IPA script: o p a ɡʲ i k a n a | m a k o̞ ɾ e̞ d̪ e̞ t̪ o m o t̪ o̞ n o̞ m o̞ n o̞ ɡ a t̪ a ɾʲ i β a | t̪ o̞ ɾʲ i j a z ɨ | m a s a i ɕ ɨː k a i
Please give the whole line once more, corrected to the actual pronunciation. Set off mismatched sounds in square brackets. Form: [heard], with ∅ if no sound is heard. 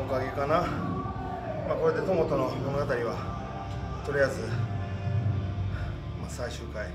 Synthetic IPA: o [k] a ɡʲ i k a n a | m a k o̞ ɾ e̞ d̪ e̞ t̪ o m o t̪ o̞ n o̞ m o̞ n o̞ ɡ a t̪ a ɾʲ i β a | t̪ o̞ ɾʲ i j a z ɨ | m a s a i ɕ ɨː k a i